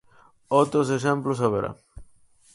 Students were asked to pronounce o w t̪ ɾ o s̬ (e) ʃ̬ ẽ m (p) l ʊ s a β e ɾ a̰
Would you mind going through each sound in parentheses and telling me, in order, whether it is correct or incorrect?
correct, correct

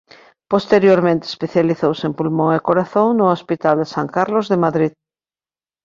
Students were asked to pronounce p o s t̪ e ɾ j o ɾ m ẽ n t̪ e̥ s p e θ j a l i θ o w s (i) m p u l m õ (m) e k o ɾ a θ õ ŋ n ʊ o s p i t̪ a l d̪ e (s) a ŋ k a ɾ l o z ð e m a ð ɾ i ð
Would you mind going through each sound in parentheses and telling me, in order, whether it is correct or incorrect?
incorrect, incorrect, correct

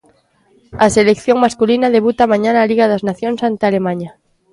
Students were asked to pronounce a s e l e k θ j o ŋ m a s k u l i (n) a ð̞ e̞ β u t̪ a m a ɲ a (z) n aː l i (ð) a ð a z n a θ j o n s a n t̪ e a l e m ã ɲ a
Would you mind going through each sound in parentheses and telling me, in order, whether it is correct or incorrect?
correct, incorrect, incorrect

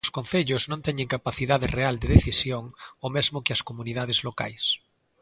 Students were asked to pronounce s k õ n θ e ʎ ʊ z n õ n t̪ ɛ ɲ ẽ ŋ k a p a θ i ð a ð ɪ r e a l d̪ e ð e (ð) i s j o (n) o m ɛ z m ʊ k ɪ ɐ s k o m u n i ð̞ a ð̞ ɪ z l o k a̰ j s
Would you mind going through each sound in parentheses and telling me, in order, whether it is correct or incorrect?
incorrect, incorrect

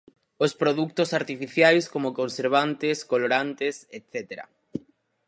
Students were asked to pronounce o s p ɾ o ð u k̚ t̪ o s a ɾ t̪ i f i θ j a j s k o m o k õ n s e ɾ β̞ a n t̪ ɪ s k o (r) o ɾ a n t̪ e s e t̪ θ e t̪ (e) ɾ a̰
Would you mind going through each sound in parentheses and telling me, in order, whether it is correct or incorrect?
incorrect, correct

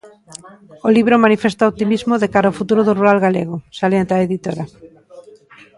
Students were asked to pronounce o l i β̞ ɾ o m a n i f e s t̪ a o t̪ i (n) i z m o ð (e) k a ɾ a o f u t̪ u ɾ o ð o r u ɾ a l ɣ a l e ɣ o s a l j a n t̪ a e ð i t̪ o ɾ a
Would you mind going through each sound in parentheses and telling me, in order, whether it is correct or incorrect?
incorrect, correct

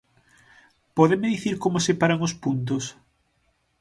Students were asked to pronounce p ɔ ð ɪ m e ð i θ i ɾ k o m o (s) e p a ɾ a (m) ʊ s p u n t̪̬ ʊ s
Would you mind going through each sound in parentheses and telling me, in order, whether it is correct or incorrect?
correct, incorrect

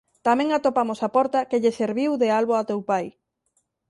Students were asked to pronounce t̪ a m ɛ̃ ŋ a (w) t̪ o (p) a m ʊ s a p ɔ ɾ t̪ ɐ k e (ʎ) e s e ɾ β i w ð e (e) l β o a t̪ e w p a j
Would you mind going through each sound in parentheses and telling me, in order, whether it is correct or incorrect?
incorrect, correct, correct, incorrect

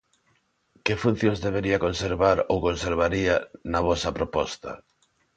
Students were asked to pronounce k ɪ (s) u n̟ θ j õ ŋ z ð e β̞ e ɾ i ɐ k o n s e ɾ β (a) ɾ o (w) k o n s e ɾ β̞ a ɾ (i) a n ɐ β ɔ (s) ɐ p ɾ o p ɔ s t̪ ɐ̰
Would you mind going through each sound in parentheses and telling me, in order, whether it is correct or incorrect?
incorrect, correct, correct, correct, correct

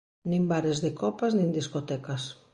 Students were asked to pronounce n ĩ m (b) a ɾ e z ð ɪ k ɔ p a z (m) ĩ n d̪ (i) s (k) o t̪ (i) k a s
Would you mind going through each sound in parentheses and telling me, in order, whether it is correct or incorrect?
correct, incorrect, correct, correct, incorrect

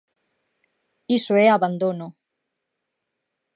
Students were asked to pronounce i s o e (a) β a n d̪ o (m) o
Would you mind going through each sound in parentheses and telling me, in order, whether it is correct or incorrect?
correct, incorrect

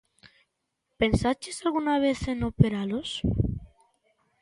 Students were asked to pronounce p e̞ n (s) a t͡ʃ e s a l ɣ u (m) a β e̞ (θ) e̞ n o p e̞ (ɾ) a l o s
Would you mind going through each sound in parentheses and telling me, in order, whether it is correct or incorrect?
correct, incorrect, correct, correct

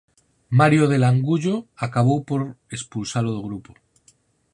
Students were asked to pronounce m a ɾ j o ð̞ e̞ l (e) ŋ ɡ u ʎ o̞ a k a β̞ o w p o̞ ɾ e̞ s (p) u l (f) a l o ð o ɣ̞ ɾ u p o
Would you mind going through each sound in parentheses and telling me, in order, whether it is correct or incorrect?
incorrect, correct, incorrect

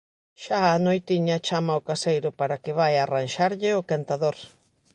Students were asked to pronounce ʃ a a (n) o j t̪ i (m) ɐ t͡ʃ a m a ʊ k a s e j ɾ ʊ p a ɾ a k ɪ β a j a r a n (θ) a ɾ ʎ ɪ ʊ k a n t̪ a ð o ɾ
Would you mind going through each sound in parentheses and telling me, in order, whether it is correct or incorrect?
correct, incorrect, incorrect

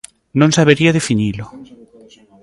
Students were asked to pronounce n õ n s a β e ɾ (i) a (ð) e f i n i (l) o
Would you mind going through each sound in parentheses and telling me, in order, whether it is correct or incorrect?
correct, correct, correct

